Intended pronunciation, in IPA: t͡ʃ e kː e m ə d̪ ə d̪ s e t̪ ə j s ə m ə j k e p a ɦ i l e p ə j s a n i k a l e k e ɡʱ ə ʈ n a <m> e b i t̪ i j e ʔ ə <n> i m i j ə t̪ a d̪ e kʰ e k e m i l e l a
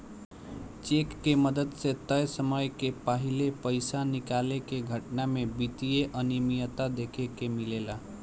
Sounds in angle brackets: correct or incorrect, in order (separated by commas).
correct, correct